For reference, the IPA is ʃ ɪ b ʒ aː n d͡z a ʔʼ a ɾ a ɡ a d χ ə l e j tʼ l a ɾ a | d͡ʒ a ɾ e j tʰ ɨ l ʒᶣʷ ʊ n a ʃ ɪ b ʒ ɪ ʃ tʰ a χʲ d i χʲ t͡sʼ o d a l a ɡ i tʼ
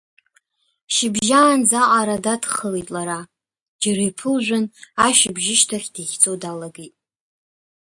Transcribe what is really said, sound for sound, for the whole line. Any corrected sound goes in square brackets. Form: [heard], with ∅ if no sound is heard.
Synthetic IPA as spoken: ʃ ɪ b ʒ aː n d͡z a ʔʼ a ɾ a [d] a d χ ə l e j tʼ l a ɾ a | d͡ʒ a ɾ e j [pʰ] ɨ l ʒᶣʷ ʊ n a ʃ ɪ b ʒ ɪ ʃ tʰ a χʲ d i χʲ t͡sʼ o d a l a ɡ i tʼ